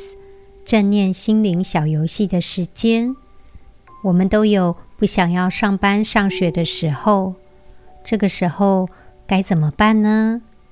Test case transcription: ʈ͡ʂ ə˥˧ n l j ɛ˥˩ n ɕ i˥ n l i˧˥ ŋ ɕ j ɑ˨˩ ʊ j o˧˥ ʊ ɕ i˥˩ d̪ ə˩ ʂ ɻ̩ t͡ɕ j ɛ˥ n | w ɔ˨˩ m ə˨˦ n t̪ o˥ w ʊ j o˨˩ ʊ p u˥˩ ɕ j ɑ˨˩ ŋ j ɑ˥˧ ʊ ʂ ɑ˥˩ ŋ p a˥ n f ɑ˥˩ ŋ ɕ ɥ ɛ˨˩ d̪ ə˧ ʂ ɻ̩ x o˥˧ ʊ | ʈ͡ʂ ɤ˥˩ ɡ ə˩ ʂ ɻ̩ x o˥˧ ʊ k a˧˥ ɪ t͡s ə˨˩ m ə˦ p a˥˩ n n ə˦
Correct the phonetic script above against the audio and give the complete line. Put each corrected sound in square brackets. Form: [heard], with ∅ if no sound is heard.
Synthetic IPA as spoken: ʈ͡ʂ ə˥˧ n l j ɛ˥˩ n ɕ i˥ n l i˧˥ ŋ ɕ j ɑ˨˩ ʊ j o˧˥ ʊ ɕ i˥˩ d̪ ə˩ ʂ ɻ̩ t͡ɕ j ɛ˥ n | w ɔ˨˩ m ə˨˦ n t̪ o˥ [∅] ʊ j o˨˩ ʊ p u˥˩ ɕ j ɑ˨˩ ŋ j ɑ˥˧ ʊ ʂ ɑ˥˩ ŋ p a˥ n [ʂ] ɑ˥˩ ŋ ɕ ɥ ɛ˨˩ d̪ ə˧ ʂ ɻ̩ x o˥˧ ʊ | ʈ͡ʂ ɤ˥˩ ɡ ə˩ ʂ ɻ̩ x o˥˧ ʊ k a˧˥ ɪ t͡s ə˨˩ m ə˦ p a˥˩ n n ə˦